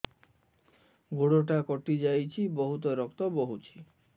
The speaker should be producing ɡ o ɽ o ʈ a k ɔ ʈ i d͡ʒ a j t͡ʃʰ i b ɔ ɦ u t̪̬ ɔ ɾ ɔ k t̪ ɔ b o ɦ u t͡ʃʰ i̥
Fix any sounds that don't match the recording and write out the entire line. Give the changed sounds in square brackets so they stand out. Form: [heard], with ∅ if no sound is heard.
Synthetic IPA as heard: ɡ o ɽ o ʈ a k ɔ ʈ i d͡ʒ a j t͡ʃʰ i b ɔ ɦ u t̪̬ ɔ ɾ ɔ k t̪ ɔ b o ɦ u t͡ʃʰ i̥

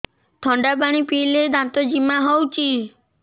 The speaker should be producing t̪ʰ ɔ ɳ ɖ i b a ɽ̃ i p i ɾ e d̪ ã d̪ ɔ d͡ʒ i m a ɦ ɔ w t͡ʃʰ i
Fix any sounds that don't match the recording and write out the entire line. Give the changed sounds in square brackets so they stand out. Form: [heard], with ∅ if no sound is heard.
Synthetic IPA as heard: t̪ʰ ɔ ɳ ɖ [a] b a ɽ̃ i p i [l] e d̪ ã [t̪] ɔ d͡ʒ i m a ɦ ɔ w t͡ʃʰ i

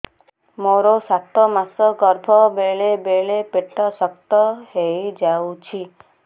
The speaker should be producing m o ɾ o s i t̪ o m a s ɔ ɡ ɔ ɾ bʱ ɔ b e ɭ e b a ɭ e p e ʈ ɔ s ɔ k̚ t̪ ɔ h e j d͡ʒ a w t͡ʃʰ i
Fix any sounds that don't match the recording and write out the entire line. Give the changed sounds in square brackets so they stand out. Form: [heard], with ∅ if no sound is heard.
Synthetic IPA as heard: m o ɾ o s [a] t̪ [ɔ] m a s ɔ ɡ ɔ ɾ bʱ ɔ b e ɭ e b [e] ɭ e p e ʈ ɔ s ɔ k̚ t̪ ɔ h e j d͡ʒ a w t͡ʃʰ i

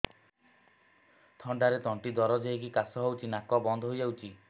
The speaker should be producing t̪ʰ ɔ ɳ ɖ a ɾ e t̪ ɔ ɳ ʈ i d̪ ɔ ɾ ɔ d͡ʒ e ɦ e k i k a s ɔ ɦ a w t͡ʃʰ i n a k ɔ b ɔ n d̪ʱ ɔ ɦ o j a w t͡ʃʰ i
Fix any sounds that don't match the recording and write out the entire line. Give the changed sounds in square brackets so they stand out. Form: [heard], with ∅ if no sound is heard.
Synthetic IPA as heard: t̪ʰ ɔ ɳ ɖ a ɾ e t̪ ɔ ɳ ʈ i d̪ ɔ ɾ ɔ d͡ʒ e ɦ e k i k a s ɔ ɦ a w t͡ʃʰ i n a k ɔ b ɔ n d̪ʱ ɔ ɦ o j a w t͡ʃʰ i

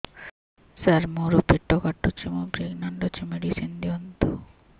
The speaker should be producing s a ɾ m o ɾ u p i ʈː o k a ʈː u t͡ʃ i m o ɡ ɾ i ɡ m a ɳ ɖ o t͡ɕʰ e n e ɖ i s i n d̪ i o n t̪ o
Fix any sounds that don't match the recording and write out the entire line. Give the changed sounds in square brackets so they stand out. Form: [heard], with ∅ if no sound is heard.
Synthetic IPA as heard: s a ɾ m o ɾ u p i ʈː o k a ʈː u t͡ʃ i m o [b] ɾ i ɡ [n] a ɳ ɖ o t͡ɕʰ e [m] e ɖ i s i n d̪ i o n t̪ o

